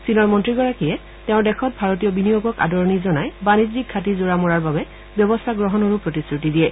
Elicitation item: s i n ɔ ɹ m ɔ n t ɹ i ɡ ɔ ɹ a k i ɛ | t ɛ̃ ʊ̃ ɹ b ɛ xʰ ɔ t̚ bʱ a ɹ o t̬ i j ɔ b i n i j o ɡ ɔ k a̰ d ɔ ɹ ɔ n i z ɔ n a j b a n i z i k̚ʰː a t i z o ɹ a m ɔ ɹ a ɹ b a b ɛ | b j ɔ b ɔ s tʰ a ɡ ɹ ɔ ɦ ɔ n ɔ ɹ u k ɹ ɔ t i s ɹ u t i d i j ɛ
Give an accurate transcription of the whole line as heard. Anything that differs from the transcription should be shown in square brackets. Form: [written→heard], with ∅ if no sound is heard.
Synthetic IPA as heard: s i n ɔ ɹ m ɔ n t ɹ i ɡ ɔ ɹ a k i ɛ | t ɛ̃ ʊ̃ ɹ [b→d] ɛ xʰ ɔ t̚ bʱ a ɹ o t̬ i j ɔ b i n i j o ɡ ɔ k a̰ d ɔ ɹ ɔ n i z ɔ n a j b a n i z i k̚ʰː a t i z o ɹ a m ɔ ɹ a ɹ b a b ɛ | b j ɔ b ɔ s tʰ a ɡ ɹ ɔ ɦ ɔ n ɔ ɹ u [k→p] ɹ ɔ t i s ɹ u t i d i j ɛ